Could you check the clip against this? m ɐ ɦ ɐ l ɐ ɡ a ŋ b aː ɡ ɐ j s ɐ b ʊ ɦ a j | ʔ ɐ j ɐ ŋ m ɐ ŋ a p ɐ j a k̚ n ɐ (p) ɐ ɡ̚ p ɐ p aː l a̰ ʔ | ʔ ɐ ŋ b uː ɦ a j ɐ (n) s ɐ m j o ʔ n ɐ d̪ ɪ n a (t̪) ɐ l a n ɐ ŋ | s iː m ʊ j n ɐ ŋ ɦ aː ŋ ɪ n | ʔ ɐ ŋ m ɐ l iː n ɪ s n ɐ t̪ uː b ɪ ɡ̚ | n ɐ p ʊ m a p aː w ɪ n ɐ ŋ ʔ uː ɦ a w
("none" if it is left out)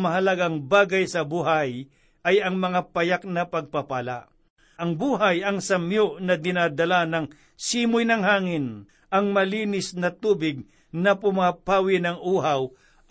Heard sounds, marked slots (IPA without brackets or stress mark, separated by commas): p, ŋ, d̪